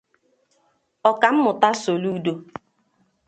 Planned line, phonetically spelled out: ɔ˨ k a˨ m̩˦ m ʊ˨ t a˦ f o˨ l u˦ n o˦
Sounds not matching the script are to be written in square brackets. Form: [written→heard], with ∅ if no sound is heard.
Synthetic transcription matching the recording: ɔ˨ k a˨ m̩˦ m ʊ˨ t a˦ [f→s] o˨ l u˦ [n→d] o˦

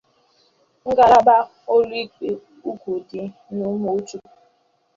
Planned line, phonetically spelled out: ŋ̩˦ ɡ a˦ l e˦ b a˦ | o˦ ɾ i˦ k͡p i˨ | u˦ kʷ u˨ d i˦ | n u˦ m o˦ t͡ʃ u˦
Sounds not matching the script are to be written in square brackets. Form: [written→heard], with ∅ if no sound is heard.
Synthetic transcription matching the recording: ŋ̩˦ ɡ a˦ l [e˦→a˦] b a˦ | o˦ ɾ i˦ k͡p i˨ | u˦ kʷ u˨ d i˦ | n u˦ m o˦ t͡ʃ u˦

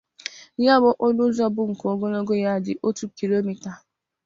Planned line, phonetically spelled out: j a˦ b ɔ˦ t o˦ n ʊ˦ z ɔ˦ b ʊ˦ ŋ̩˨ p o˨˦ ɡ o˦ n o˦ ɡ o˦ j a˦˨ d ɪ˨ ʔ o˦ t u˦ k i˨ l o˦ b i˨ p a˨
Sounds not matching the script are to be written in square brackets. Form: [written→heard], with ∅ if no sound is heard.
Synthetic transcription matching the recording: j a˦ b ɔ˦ [t→ʔ] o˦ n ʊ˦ z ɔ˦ b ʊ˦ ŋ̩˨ [p→k] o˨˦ ɡ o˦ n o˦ ɡ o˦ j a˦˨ d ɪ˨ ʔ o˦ t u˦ k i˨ l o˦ [b→m] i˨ [p→t] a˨

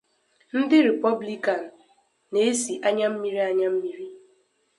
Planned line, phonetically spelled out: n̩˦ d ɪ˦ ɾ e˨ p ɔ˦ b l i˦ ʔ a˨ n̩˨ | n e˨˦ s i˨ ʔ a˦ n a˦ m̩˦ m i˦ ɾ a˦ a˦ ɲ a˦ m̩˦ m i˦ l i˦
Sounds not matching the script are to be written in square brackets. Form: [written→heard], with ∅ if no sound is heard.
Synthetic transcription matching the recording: n̩˦ d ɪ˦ ɾ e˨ p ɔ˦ b l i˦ [ʔ→k] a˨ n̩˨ | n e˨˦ s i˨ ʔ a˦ [n→ɲ] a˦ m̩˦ m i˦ ɾ [a˦→i˦] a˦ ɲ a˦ m̩˦ m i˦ [l→ɾ] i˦

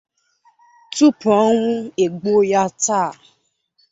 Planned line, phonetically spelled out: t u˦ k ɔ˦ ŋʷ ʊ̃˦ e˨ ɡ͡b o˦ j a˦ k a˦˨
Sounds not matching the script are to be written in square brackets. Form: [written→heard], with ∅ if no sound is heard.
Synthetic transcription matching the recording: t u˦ [k→p] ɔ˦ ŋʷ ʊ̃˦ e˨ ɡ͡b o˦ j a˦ [k→t] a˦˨

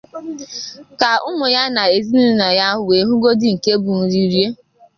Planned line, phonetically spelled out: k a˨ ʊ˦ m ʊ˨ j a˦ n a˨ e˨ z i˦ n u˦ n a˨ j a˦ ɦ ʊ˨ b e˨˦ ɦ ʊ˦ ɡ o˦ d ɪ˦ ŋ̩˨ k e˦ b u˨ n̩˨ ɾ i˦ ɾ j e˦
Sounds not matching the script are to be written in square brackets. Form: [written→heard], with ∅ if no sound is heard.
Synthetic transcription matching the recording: k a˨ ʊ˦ m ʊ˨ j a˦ n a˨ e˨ z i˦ n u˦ n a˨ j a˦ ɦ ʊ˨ [b→w] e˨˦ ɦ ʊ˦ ɡ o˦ d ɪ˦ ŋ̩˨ k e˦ b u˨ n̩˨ ɾ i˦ ɾ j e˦

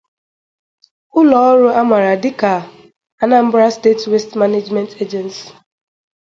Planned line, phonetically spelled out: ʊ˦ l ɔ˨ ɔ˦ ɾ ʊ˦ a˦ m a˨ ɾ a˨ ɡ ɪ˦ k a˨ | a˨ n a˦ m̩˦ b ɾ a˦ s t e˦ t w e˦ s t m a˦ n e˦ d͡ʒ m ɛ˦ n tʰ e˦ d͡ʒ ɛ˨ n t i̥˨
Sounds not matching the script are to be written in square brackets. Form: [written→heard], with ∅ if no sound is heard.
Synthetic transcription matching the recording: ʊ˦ l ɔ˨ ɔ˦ ɾ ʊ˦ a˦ m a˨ ɾ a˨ [ɡ→d] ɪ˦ k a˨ | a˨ n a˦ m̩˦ b ɾ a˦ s t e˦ t w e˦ s t m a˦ n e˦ d͡ʒ m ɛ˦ n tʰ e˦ d͡ʒ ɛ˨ n [t→s] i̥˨

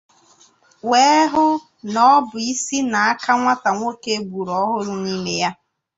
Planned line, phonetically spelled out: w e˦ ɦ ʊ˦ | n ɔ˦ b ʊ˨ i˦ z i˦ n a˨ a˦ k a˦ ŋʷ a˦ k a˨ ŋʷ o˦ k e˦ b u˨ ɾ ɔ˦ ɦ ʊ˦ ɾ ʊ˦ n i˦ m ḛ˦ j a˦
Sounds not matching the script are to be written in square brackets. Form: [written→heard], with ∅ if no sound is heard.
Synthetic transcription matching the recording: w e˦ ɦ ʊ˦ | n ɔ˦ b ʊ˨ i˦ [z→s] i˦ n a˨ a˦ k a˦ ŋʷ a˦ [k→t] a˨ ŋʷ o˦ k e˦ b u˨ ɾ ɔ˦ ɦ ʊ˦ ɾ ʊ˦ n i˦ m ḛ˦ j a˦

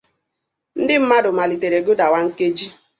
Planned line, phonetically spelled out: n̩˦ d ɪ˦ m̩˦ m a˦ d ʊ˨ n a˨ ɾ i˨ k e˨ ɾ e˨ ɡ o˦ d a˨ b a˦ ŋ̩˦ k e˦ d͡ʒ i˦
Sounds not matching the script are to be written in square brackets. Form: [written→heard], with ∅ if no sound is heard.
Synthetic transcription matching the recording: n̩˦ d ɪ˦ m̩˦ m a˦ d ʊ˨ [n→m] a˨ [ɾ→l] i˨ [k→t] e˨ ɾ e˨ ɡ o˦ d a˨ [b→w] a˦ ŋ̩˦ k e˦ d͡ʒ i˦

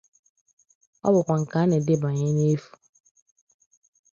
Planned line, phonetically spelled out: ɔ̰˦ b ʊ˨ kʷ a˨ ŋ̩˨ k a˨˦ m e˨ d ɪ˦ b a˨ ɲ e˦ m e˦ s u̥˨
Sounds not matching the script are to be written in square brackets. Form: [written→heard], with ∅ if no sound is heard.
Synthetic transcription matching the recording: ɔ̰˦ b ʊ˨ kʷ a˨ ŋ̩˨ k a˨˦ [m→n] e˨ d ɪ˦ b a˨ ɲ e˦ [m→n] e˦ [s→f] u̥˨

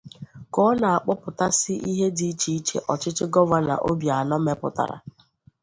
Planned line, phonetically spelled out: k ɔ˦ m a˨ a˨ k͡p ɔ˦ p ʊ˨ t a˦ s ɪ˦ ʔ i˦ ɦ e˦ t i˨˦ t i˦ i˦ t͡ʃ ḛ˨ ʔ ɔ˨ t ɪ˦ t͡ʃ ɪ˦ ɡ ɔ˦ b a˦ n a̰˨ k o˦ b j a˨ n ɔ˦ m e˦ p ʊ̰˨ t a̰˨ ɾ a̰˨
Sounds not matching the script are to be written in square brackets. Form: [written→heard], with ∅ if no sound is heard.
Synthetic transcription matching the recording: k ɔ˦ [m→n] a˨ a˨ k͡p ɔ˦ p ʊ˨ t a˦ s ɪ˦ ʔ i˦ ɦ e˦ [t→d] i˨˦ [t→t͡ʃ] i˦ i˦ t͡ʃ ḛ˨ ʔ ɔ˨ [t→t͡ʃ] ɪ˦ t͡ʃ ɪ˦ ɡ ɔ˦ [b→v] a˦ n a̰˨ [k→ʔ] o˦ b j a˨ n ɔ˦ m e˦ p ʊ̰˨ t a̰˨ ɾ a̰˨

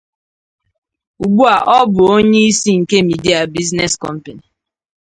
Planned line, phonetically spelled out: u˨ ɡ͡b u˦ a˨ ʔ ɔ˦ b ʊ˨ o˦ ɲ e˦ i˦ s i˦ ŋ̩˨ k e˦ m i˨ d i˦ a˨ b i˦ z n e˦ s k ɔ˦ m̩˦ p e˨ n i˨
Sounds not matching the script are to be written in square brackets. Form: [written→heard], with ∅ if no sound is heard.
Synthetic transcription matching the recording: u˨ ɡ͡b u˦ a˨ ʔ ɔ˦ b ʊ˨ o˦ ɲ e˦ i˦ s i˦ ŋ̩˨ k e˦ m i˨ d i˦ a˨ b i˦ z n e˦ s k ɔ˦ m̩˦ p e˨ n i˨

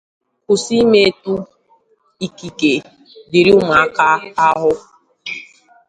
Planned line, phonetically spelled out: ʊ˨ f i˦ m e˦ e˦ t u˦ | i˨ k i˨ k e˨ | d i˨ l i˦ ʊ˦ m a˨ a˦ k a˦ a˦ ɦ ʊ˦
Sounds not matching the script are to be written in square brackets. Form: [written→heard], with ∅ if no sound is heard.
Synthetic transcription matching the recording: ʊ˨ [f→s] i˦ m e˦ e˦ t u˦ | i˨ k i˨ k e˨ | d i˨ [l→ɾ] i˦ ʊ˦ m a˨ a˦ k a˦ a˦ ɦ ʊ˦

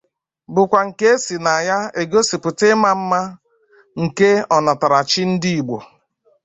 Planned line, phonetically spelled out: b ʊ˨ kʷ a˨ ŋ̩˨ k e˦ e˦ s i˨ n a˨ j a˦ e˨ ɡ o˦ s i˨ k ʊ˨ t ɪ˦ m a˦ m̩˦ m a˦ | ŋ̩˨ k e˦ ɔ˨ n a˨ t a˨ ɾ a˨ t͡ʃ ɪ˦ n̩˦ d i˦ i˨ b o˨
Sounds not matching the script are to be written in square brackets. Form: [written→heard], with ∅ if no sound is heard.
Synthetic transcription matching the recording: b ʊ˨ kʷ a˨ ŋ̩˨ k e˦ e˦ s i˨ n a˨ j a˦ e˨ ɡ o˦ s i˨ [k→p] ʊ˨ t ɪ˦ m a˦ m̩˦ m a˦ | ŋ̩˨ k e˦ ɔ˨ n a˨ t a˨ ɾ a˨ t͡ʃ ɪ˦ n̩˦ d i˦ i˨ [b→ɡ͡b] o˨

